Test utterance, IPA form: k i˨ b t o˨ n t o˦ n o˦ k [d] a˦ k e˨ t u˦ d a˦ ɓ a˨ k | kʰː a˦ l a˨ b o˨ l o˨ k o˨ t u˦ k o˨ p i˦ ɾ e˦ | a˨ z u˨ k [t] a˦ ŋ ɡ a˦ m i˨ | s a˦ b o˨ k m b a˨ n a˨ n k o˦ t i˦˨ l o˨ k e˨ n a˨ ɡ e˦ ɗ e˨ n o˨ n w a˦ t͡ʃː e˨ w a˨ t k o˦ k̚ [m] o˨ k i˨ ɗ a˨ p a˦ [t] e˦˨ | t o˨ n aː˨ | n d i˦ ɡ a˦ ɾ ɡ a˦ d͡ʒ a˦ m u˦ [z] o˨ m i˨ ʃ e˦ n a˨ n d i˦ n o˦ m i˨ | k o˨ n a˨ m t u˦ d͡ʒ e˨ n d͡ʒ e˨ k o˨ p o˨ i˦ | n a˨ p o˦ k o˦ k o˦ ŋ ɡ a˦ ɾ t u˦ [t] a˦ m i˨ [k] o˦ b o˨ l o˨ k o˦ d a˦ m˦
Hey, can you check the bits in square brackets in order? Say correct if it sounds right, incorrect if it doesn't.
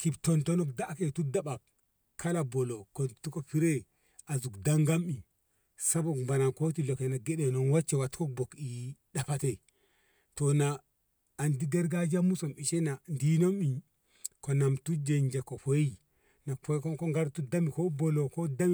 correct, incorrect, incorrect, correct, incorrect, incorrect, correct

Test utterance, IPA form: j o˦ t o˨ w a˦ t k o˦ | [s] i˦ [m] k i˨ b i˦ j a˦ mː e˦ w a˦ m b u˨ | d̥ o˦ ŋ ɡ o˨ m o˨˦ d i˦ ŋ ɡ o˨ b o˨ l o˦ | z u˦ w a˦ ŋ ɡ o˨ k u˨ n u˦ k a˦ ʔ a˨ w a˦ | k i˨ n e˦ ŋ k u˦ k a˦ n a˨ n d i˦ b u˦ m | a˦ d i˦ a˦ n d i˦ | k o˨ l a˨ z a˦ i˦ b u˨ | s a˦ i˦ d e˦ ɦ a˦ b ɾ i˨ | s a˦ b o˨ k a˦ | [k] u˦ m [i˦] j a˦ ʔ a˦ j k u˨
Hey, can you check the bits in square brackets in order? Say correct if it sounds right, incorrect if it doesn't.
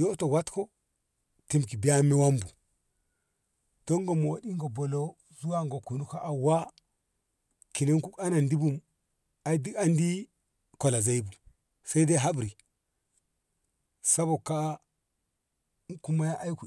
incorrect, correct, correct, incorrect

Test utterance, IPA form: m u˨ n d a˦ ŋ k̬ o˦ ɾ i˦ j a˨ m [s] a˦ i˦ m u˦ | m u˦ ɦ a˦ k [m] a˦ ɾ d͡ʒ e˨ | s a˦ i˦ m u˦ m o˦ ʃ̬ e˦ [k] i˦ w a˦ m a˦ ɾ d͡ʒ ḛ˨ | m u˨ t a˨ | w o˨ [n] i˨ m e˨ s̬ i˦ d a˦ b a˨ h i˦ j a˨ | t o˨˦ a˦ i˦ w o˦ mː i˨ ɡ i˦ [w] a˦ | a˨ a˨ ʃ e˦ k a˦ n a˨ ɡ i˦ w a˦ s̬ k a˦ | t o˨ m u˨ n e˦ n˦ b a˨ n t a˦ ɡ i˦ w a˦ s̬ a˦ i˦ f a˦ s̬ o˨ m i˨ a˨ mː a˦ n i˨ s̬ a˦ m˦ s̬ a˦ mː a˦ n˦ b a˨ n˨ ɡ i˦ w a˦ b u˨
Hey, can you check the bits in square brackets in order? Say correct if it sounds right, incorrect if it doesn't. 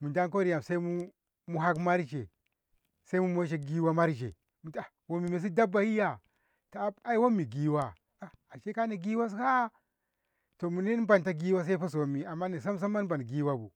correct, correct, incorrect, incorrect, correct

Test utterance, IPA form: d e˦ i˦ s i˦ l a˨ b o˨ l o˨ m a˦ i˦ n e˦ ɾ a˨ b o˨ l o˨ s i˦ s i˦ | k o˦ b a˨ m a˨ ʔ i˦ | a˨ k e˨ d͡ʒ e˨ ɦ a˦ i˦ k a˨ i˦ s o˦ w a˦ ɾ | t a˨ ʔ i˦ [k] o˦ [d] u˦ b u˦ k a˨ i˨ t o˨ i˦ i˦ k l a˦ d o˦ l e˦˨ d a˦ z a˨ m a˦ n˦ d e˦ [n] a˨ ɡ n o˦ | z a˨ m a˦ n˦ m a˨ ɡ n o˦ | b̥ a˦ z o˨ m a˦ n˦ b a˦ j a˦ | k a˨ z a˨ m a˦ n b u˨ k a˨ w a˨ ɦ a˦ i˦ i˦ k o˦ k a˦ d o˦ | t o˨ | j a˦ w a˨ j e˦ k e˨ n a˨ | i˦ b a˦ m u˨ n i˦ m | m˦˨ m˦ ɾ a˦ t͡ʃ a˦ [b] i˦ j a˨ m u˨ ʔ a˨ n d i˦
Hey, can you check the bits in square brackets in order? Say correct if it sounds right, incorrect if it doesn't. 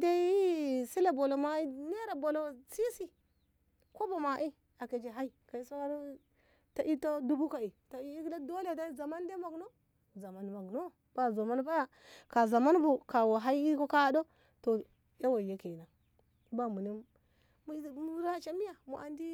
incorrect, correct, incorrect, incorrect

